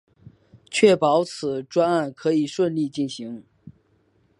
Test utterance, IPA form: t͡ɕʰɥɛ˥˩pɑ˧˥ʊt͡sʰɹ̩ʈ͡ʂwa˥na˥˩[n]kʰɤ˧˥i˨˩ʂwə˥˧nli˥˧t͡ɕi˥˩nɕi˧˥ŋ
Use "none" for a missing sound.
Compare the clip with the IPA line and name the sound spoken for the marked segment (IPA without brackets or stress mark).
n